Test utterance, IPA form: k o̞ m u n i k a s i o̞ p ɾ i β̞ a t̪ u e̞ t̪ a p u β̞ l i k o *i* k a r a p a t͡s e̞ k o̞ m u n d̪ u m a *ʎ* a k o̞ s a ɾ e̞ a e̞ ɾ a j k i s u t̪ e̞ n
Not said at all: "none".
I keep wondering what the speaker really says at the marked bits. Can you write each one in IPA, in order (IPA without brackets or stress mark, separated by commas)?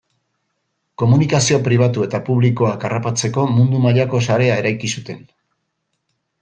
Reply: a, ʎ